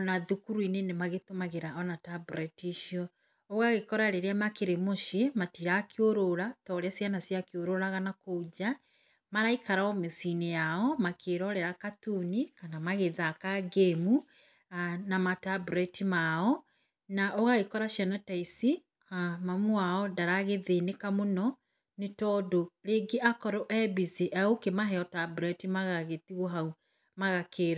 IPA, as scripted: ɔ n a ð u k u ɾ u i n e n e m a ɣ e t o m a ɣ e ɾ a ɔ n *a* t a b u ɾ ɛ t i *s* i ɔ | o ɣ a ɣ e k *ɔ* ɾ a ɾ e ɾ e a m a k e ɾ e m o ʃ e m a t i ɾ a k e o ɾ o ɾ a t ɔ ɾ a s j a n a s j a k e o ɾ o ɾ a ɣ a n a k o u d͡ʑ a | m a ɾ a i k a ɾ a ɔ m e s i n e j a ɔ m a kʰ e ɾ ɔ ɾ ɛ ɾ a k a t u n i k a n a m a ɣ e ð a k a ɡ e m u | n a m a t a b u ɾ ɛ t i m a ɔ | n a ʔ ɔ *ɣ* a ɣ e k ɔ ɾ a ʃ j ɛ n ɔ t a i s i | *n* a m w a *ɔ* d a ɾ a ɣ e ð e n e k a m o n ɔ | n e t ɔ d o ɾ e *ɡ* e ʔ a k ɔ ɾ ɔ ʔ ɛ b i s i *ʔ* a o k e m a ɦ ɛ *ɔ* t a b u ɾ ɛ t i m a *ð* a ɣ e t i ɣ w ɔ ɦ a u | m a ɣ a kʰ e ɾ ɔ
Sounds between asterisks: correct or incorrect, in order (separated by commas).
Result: correct, incorrect, correct, correct, incorrect, correct, correct, correct, correct, incorrect